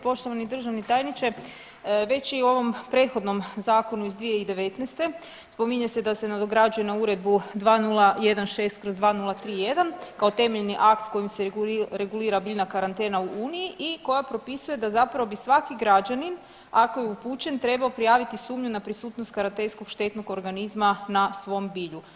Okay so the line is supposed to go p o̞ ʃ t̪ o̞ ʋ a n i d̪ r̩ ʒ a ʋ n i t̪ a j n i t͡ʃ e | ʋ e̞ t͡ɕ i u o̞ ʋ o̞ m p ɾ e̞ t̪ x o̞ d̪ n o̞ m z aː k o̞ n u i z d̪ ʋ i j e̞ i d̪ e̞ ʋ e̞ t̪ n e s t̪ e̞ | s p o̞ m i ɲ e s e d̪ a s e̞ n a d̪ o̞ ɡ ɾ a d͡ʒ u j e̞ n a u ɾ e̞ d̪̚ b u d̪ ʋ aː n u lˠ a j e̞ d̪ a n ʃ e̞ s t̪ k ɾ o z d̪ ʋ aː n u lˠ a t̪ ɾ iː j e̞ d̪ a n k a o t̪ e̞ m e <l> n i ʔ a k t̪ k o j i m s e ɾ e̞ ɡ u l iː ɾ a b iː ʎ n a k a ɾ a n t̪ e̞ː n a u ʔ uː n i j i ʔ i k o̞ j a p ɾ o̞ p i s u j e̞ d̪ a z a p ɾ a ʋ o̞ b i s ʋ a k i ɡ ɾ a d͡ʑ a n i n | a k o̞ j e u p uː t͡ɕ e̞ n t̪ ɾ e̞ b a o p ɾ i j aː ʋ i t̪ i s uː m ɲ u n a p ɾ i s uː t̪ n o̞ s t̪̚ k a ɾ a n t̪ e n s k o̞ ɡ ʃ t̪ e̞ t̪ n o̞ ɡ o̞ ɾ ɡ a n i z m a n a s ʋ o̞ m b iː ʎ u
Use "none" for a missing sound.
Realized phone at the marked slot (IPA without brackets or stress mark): ʎ